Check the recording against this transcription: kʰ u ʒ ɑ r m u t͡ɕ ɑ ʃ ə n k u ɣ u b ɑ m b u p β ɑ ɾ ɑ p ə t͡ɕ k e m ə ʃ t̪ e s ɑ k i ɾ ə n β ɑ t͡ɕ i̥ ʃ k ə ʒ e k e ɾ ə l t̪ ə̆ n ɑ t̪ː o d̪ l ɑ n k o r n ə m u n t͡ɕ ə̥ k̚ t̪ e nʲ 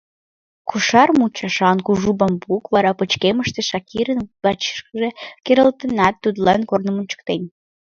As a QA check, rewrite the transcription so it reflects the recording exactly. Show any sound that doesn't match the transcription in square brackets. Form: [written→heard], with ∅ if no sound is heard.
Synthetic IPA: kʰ u [ʒ→ʃ] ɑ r m u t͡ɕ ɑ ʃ [ə→ɑ] n k u [ɣ→ʒ] u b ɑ m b u [p→k] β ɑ ɾ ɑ p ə t͡ɕ k e m ə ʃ t̪ e [s→ʃ] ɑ k i ɾ ə n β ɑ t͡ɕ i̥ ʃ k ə ʒ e k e ɾ ə l t̪ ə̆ n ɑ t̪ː [o→u] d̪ l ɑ n k o r n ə m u n t͡ɕ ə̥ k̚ t̪ e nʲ